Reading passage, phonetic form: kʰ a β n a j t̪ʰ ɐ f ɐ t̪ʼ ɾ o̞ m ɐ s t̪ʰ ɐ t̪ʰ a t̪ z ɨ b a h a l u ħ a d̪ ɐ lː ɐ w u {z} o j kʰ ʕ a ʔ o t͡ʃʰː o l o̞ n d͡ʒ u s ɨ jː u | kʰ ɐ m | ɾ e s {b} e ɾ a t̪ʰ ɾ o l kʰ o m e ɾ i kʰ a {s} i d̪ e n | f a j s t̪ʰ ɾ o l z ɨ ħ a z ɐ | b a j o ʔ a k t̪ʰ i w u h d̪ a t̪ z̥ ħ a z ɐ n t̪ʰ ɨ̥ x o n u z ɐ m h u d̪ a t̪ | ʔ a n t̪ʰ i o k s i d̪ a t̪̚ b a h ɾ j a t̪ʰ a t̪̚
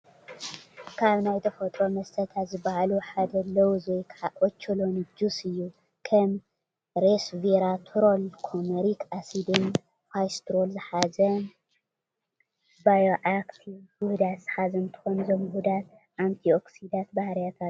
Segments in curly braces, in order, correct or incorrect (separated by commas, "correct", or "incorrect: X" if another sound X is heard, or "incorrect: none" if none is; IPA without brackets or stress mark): correct, incorrect: v, correct